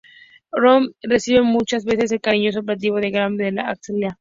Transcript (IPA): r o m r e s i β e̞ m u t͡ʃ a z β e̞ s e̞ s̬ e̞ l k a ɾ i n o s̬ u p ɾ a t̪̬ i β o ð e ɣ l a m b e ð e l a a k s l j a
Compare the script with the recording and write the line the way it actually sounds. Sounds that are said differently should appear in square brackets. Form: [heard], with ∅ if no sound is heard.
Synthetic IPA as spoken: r o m r e s i β e̞ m u t͡ʃ a z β e̞ s e̞ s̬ e̞ l k a ɾ i [ɲ] o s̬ [o] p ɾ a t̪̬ i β o ð e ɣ [ɾ] a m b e ð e l a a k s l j a